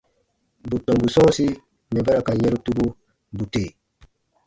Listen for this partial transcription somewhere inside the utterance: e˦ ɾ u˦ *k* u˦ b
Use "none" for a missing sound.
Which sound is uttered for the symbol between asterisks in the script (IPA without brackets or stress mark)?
t